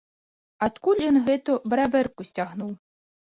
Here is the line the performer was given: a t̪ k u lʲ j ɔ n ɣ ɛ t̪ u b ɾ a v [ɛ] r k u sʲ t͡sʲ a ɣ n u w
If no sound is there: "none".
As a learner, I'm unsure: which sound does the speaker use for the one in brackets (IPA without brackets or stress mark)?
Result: ɛ